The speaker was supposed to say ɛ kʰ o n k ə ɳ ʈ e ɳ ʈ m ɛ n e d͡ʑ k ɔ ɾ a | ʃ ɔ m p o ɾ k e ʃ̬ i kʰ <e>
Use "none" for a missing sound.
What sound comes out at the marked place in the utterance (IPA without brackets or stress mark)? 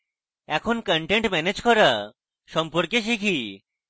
i